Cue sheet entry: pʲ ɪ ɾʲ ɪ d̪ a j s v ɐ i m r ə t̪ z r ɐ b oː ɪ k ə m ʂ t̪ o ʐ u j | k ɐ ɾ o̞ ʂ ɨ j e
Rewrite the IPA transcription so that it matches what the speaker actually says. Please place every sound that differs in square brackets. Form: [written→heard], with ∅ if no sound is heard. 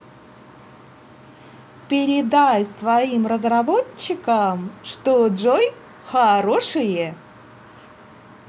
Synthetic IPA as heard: pʲ ɪ ɾʲ ɪ d̪ a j s v ɐ i m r ə [t̪→∅] z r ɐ b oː ɪ k ə m ʂ t̪ o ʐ [u→o] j | [k→x] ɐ ɾ o̞ ʂ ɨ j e